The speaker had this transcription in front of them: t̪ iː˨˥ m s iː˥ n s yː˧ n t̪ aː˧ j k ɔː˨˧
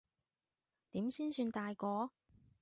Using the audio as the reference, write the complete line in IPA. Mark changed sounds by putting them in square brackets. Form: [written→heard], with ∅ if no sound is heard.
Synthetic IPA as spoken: t̪ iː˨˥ m s iː˥ n s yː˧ n t̪ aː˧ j k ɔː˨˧